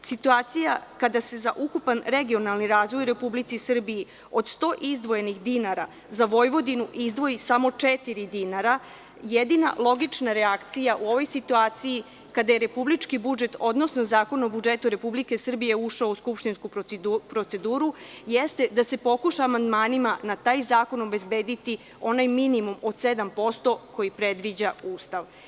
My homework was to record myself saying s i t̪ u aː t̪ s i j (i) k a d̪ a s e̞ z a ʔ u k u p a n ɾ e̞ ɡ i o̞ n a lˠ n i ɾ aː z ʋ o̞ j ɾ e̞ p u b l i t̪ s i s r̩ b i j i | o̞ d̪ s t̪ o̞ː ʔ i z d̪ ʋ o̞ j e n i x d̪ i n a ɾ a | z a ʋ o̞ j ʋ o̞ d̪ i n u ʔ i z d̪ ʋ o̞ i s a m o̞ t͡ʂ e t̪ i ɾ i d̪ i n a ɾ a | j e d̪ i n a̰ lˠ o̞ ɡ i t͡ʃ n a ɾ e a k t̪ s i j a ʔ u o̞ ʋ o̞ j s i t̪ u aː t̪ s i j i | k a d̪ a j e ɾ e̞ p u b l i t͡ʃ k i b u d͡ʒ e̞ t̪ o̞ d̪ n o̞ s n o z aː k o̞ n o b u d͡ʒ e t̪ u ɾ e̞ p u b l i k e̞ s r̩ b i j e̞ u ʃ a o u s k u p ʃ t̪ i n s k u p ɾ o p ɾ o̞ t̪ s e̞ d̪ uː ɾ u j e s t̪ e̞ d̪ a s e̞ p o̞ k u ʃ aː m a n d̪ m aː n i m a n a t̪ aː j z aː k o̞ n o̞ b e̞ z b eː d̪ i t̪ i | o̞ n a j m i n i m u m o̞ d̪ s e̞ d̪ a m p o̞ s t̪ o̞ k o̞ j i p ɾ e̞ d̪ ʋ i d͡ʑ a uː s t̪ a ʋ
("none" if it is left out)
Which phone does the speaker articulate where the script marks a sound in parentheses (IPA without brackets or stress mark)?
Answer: a